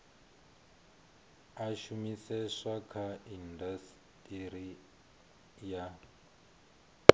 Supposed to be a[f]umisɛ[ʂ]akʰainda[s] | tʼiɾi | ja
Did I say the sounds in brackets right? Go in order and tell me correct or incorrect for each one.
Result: incorrect: ʃ, correct, correct

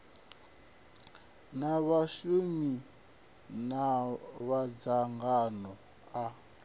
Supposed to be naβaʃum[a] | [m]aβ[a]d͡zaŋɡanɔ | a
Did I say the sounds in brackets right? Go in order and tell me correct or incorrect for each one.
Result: incorrect: i, incorrect: n, correct

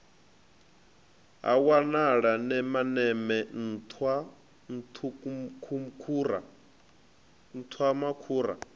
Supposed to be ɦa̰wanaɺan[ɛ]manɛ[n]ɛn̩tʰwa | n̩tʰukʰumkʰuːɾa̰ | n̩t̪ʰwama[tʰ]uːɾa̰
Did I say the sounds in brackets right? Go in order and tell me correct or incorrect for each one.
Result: correct, incorrect: m, incorrect: kʰ

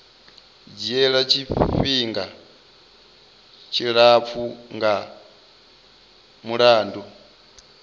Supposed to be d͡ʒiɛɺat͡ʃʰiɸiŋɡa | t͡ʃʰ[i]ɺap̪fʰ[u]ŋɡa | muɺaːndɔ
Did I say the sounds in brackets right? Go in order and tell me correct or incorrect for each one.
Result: correct, correct

